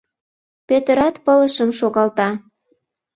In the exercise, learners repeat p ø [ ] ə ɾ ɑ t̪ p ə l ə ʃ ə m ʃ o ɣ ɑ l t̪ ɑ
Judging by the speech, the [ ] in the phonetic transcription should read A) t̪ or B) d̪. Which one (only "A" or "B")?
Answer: A